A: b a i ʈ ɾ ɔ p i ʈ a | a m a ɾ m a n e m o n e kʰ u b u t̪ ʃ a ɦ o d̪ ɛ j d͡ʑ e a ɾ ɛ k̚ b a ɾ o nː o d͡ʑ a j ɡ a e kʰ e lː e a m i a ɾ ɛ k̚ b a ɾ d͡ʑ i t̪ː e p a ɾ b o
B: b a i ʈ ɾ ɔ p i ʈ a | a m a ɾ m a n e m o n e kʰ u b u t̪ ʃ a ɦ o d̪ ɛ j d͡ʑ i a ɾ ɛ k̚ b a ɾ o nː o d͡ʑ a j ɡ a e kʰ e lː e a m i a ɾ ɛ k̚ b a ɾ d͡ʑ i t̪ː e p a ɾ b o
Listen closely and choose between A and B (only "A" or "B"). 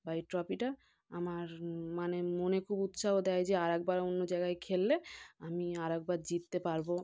A